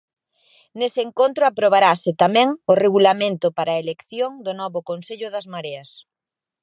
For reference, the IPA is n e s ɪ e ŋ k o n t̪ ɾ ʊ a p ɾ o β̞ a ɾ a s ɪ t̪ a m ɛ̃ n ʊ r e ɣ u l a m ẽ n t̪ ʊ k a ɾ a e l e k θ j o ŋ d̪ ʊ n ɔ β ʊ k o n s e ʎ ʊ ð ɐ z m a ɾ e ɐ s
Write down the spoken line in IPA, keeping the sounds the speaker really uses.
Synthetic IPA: n e s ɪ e ŋ k o n t̪ ɾ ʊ a p ɾ o β̞ a ɾ a s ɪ t̪ a m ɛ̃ ŋ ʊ r e ɣ u l a m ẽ n t̪ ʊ p a ɾ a e l e k θ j o ŋ d̪ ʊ n ɔ β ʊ k o n s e ʎ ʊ ð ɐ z m a ɾ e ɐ s